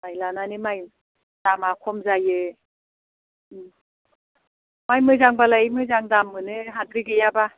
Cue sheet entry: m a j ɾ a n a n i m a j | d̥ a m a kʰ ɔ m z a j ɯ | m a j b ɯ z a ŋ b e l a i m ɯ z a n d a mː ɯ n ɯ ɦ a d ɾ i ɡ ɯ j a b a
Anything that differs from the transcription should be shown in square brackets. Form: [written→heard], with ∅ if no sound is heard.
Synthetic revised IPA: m a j [ɾ→l] a n a n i m a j | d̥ a m a kʰ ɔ m z a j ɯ | m a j [b→m] ɯ z a ŋ b [e→a] l a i m ɯ z a [n→ŋ] d a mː ɯ n ɯ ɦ a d ɾ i ɡ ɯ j a b a